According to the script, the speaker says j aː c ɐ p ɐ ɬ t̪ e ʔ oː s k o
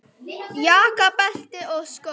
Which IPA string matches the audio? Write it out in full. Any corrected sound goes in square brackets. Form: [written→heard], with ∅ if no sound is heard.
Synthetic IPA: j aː [c→k] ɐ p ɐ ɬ t̪ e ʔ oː s k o